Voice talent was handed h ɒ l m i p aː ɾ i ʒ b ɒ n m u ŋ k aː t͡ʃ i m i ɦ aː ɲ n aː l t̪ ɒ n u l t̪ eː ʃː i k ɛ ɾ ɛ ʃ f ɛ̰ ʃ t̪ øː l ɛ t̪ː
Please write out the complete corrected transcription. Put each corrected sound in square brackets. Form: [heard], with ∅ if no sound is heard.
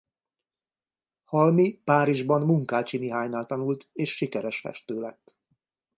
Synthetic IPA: h ɒ l m i p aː ɾ i ʒ b ɒ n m u ŋ k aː t͡ʃ i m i ɦ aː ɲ n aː l t̪ ɒ n u l t̪ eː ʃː i k ɛ ɾ ɛ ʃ f ɛ̰ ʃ t̪ øː l ɛ t̪ː